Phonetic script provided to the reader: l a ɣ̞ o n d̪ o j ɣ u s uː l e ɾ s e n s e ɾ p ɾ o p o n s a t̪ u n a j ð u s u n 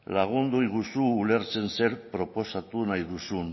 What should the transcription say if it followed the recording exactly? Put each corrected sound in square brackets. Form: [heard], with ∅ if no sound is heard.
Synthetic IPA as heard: l a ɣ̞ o n d̪ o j ɣ u s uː l e ɾ s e n s e ɾ p ɾ o p o [∅] s a t̪ u n a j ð u s u n